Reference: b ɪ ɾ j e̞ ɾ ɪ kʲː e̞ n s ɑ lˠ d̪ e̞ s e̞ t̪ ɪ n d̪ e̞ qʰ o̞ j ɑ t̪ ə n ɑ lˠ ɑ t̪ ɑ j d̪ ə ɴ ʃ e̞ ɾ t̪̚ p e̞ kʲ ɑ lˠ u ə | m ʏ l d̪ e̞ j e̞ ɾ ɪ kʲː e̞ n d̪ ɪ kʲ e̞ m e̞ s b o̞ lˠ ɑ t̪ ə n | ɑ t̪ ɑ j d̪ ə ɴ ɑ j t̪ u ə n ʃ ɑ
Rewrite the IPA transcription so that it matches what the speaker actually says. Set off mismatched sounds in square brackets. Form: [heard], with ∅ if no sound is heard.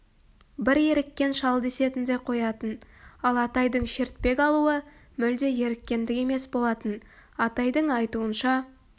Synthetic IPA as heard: b ɪ ɾ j e̞ ɾ ɪ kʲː e̞ n [ʃ] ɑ lˠ d̪ e̞ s e̞ t̪ ɪ n d̪ e̞ qʰ o̞ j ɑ t̪ ə n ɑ lˠ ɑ t̪ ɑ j d̪ ə ɴ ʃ e̞ ɾ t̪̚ p e̞ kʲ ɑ lˠ u ə | m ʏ l d̪ e̞ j e̞ ɾ ɪ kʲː e̞ n d̪ ɪ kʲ e̞ m e̞ s b o̞ lˠ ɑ t̪ ə n | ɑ t̪ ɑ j d̪ ə ɴ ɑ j t̪ u ə n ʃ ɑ